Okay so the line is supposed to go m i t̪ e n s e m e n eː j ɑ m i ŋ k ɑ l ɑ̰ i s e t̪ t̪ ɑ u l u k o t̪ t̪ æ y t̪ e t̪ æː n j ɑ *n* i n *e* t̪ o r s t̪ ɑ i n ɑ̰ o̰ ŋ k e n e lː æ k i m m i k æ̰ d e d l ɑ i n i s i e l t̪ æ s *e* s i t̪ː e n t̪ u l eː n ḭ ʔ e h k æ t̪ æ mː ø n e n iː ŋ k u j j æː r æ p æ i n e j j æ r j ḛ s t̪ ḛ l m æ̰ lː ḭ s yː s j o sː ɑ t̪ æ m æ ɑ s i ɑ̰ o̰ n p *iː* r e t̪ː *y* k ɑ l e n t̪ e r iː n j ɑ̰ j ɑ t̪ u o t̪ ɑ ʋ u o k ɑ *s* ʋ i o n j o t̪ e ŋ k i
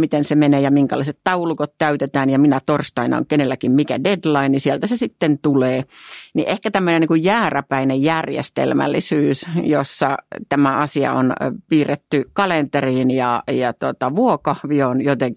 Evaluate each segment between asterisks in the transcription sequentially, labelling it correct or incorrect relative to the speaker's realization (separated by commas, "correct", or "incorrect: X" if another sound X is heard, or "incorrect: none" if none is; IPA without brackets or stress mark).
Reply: incorrect: m, incorrect: æ, correct, correct, correct, incorrect: h